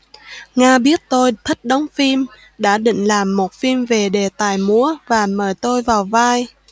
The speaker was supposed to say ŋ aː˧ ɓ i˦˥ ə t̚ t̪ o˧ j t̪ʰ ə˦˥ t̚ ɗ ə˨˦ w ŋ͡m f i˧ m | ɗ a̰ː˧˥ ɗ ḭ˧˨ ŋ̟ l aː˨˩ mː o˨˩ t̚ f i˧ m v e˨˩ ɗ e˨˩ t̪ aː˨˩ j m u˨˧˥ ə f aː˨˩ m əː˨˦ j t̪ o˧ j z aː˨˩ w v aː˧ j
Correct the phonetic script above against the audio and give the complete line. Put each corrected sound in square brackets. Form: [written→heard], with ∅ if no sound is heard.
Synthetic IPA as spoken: ŋ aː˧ ɓ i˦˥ ə t̚ t̪ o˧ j t̪ʰ ə˦˥ t̚ ɗ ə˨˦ w ŋ͡m f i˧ m | ɗ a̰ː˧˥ ɗ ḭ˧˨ ŋ̟ l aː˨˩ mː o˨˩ t̚ f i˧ m v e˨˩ ɗ e˨˩ t̪ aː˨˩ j m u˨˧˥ ə [f→v] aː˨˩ m [əː˨˦→əː˧˩] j t̪ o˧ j [z→v] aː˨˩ w v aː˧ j